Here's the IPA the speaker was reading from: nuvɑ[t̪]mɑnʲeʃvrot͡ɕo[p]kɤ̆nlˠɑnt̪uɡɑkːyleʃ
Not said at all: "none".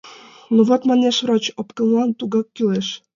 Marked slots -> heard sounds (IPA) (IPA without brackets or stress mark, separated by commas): t̪, p